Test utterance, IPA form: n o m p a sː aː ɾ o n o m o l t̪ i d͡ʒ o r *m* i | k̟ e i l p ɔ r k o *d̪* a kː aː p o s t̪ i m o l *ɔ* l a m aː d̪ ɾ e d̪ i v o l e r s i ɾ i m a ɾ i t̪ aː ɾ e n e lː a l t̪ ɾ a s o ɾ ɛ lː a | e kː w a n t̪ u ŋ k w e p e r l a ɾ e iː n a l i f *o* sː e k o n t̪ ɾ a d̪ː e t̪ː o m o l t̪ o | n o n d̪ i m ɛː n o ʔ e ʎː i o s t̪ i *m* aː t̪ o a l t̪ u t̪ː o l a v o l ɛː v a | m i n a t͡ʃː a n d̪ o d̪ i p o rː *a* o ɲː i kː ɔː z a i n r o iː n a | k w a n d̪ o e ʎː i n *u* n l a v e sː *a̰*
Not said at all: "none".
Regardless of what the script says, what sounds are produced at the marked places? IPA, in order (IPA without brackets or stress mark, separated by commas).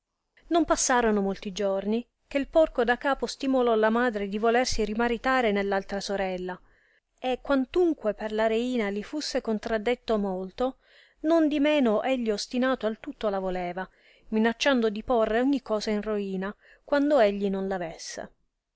n, d̪, ɔ, u, n, e, o, ḛ